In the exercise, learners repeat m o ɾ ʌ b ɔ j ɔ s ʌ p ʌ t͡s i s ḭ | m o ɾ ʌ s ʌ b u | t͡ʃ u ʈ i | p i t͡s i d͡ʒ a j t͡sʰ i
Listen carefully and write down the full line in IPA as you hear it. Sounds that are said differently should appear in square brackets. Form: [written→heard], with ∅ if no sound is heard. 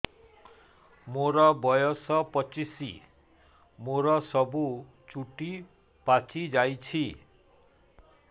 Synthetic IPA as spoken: m o ɾ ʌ b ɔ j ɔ s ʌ p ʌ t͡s i s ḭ | m o ɾ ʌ s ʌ b u | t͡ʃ u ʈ i | p [i→a] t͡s i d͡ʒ a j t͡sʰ i

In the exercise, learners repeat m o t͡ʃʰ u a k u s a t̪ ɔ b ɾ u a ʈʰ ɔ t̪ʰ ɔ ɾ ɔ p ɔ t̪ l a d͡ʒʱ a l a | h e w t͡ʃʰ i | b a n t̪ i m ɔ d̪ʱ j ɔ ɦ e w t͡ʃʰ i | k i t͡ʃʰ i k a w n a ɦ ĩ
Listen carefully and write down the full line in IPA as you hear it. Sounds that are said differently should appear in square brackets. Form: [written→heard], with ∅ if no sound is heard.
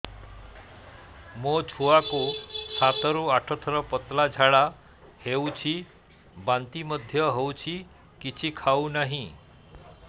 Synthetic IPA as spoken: m o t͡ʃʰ u a k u s a t̪ ɔ [b→∅] ɾ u a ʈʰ ɔ t̪ʰ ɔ ɾ ɔ p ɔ t̪ l a d͡ʒʱ a [l→ɭ] a | h e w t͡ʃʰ i | b a n t̪ i m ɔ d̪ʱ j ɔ ɦ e w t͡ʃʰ i | k i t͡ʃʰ i [k→kʰ] a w n a ɦ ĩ

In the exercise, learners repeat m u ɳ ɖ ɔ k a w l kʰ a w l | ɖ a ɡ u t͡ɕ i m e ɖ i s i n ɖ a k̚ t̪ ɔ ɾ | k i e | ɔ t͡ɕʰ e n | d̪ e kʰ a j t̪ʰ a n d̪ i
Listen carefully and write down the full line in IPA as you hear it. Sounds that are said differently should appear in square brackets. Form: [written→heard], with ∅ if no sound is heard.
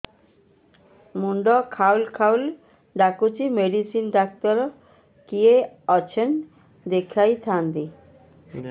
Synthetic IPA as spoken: m u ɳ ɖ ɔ [k→kʰ] a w l kʰ a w l | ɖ a [ɡ→k] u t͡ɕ i m e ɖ i s i n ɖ a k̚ t̪ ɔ ɾ | k i e | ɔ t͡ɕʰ e n | d̪ e kʰ a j t̪ʰ a n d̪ i

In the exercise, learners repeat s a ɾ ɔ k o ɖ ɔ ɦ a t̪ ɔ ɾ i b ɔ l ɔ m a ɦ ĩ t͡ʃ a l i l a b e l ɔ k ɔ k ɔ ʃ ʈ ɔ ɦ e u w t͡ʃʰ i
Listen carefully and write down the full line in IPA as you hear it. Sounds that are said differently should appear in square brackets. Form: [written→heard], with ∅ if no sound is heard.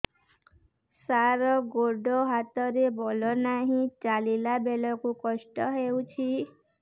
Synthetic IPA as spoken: s a ɾ ɔ [k→ɡ] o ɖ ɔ ɦ a t̪ ɔ ɾ [i→e] b ɔ l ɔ [m→n] a ɦ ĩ t͡ʃ a l i l a b e l ɔ k [ɔ→u] k ɔ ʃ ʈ ɔ ɦ e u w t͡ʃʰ i

